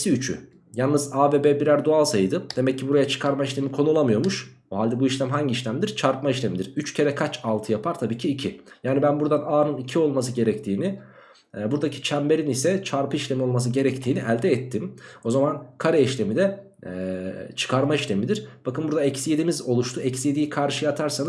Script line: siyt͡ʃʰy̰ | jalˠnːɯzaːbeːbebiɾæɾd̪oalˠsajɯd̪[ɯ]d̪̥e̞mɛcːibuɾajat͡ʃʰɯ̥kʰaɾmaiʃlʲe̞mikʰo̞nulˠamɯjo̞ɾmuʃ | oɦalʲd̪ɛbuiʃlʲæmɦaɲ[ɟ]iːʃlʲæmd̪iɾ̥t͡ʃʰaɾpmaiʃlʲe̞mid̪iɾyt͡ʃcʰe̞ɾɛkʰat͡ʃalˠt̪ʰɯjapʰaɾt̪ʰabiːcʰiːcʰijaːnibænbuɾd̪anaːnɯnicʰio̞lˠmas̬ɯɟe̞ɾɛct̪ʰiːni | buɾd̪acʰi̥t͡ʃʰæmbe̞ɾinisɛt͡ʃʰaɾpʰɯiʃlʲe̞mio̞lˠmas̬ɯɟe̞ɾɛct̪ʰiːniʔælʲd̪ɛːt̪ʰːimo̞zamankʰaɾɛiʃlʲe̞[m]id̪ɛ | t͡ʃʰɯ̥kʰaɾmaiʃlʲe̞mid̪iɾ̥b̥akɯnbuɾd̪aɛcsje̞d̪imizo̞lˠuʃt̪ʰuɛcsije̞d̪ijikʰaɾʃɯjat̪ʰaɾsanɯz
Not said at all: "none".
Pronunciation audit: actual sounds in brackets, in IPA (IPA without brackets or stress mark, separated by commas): ɯ, ɟ, m